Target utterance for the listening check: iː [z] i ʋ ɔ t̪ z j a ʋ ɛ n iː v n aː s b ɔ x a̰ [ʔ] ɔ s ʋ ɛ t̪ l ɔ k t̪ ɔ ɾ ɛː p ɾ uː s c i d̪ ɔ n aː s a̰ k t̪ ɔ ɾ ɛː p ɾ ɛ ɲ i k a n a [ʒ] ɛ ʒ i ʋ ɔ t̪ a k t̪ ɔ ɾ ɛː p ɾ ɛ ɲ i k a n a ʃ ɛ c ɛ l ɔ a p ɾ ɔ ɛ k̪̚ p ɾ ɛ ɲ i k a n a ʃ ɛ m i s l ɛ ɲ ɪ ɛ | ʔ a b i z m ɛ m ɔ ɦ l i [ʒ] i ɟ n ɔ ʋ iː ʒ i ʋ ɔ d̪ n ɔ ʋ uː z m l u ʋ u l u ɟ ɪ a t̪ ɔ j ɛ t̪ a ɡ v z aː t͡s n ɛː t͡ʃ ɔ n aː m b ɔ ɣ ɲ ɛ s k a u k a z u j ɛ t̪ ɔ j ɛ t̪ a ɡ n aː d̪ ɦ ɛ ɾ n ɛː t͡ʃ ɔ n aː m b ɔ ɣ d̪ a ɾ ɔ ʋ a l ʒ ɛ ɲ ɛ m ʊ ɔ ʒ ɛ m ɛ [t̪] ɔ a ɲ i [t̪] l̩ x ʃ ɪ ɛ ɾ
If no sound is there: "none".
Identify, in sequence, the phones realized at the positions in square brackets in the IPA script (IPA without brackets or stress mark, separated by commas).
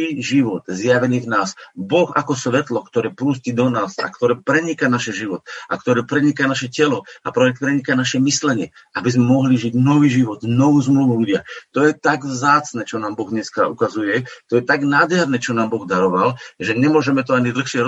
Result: ʒ, k, ʃ, ʒ, t̪, d̪